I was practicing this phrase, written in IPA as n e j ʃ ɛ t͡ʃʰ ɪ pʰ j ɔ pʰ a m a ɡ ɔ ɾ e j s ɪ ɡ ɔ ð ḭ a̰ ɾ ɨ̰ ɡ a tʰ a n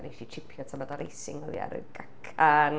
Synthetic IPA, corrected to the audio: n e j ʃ i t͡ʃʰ ɪ pʰ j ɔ tʰ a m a d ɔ ɾ e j s ɪ ŋ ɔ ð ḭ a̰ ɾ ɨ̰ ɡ a kʰ a n